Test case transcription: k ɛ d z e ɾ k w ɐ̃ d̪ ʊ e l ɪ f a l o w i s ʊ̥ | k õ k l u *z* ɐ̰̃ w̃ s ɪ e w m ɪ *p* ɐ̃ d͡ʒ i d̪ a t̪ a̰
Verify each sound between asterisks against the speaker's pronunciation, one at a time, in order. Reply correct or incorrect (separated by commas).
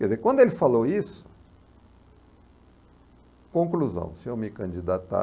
correct, incorrect